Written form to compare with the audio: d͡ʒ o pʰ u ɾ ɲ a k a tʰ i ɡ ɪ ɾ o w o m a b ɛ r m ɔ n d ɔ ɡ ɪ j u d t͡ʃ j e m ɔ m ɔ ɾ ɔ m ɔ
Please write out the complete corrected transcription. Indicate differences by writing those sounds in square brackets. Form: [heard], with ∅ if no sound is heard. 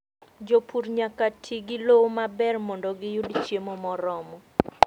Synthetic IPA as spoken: d͡ʒ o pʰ u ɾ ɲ a k a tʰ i ɡ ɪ [l] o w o m a b ɛ r m ɔ n d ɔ ɡ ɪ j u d t͡ʃ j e m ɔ m ɔ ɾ ɔ m ɔ